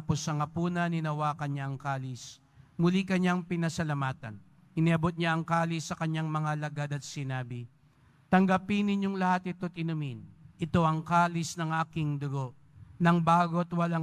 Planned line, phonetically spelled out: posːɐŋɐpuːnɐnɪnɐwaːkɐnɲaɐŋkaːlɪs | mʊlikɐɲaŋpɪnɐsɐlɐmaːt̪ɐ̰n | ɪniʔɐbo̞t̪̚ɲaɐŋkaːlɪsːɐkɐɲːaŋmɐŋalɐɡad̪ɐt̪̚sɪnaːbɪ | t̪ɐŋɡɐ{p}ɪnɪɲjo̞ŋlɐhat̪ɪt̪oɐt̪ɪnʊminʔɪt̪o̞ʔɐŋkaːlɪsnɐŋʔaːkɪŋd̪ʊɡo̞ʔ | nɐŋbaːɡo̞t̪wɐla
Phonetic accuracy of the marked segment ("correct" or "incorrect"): correct